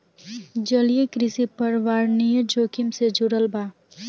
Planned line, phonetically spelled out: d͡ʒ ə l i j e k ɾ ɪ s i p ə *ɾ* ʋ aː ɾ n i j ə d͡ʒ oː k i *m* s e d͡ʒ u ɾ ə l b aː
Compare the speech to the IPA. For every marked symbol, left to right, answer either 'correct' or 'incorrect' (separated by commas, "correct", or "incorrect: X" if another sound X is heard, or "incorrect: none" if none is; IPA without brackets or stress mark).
correct, correct